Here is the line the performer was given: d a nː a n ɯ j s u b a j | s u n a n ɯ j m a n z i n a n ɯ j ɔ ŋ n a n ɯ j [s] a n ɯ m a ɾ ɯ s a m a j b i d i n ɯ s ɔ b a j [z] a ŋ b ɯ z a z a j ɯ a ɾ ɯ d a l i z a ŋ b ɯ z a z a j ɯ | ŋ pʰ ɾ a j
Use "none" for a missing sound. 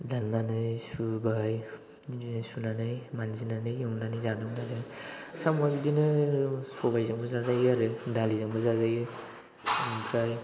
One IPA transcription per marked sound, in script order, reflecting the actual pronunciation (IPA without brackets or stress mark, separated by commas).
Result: z, z